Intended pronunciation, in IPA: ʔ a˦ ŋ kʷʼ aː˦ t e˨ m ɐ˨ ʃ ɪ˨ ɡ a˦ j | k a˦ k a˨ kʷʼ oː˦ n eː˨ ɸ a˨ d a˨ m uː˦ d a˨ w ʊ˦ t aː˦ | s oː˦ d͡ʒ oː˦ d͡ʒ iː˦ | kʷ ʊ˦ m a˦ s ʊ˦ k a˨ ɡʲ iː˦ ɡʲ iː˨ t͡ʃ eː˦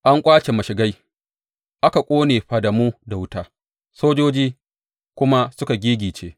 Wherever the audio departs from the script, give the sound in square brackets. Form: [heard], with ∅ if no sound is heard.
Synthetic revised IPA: ʔ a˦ ŋ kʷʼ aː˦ [t͡ʃ] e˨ m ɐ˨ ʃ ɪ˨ ɡ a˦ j | [ʔ] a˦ k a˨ kʷʼ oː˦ n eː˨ ɸ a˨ d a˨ m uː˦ d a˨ w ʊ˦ t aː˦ | s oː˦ d͡ʒ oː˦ d͡ʒ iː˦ | kʷ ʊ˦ m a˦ s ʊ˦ k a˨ ɡʲ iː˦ ɡʲ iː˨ t͡ʃ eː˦